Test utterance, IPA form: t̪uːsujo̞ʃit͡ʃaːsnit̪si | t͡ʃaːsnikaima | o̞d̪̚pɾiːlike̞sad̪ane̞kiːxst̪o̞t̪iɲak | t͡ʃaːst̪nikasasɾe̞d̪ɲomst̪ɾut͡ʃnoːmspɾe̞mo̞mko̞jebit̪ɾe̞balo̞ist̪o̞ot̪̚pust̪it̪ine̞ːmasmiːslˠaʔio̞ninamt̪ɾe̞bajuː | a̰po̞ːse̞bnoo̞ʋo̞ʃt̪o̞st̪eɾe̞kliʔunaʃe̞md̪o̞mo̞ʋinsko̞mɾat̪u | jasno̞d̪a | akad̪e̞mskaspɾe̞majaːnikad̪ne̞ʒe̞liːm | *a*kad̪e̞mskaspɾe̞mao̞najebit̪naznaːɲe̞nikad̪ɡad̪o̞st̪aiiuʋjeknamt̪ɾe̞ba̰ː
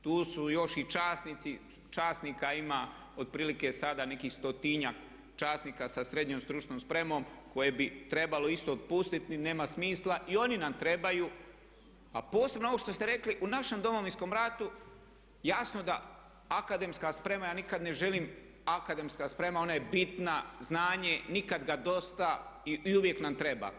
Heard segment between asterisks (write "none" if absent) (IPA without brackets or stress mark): a